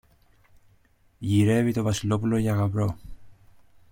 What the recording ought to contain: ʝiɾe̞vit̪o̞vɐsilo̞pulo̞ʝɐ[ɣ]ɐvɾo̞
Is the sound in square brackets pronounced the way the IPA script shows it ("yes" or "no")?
yes